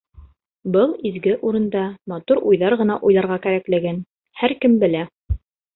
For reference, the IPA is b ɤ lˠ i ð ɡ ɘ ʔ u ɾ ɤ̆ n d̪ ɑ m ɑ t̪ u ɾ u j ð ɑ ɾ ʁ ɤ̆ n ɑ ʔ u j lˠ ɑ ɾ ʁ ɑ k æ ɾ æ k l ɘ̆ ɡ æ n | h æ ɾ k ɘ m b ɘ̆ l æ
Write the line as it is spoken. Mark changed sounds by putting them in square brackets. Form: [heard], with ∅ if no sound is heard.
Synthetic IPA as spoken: b ɤ lˠ i [z] ɡ ɘ ʔ u ɾ ɤ̆ n d̪ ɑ m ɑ t̪ u ɾ u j ð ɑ ɾ ʁ ɤ̆ n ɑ ʔ u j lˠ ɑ ɾ ʁ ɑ k æ ɾ æ k l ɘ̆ ɡ æ n | h æ ɾ k ɘ m b ɘ̆ l æ